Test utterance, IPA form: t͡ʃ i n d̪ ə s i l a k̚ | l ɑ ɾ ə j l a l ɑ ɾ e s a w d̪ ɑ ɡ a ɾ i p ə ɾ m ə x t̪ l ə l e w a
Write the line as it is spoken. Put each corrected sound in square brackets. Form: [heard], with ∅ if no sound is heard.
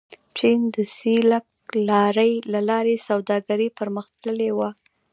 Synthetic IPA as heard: t͡ʃ i n d̪ ə s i l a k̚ | l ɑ ɾ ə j l a l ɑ ɾ e s a w d̪ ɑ ɡ a ɾ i p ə ɾ m ə x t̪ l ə l e w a